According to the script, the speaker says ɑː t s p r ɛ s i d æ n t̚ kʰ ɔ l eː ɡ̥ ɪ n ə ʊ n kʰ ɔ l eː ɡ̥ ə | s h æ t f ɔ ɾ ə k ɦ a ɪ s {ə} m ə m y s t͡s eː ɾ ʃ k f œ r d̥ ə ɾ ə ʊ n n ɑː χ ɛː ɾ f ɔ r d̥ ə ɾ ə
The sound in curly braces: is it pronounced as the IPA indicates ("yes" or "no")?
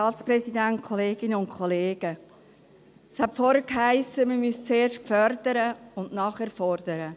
yes